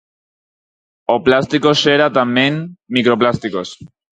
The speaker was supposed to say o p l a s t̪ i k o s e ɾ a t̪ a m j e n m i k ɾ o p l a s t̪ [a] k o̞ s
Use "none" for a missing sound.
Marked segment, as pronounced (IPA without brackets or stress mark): i